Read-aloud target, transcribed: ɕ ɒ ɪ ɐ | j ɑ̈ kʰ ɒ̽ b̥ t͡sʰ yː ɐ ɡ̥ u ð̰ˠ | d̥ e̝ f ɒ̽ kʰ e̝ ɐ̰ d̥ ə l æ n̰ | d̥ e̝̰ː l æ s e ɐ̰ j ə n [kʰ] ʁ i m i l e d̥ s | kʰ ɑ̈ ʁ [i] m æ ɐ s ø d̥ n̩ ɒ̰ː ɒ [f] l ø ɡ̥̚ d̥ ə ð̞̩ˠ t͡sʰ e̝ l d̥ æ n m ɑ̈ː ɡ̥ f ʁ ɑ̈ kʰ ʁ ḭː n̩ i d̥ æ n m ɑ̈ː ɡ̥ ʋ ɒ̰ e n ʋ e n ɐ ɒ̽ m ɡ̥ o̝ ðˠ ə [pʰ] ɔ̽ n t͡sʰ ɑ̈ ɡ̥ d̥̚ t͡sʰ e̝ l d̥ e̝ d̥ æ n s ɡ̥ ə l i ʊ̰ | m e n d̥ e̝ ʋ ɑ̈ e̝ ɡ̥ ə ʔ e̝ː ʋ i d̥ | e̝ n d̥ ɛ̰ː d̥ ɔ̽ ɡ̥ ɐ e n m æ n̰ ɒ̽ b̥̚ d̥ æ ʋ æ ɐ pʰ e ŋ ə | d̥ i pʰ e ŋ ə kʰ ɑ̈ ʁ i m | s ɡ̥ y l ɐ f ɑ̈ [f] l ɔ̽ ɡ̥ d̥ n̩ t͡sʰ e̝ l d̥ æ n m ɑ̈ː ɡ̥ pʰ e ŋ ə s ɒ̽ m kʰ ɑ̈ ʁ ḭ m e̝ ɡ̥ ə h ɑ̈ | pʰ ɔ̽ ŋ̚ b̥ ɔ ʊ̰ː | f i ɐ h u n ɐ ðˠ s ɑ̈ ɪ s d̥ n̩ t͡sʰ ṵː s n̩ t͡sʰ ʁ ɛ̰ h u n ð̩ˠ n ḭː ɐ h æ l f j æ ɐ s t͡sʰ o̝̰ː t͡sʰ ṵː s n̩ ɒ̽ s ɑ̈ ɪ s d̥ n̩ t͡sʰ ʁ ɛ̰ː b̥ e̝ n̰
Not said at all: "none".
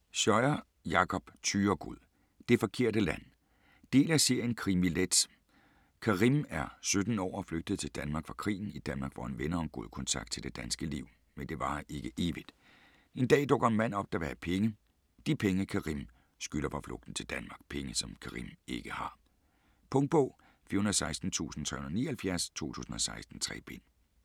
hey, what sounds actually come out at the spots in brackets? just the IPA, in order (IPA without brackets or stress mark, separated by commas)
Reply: kʰ, i, f, kʰ, f